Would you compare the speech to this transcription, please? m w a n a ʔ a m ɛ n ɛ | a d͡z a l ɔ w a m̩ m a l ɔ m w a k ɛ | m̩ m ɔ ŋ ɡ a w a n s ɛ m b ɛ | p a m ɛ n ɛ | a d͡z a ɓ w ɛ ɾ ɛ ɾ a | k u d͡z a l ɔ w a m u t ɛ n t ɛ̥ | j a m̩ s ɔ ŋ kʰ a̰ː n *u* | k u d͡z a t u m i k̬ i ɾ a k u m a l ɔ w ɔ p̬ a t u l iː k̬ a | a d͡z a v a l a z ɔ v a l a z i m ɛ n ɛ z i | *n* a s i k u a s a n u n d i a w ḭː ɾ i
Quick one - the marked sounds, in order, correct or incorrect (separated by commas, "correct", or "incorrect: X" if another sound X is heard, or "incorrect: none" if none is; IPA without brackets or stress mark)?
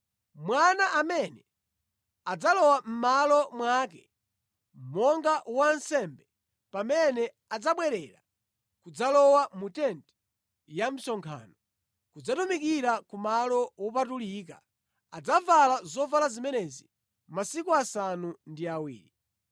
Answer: incorrect: ɔ, incorrect: m